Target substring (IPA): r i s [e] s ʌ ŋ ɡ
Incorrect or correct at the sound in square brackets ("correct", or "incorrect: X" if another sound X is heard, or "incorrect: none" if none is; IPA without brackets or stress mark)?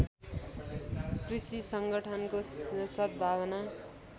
incorrect: i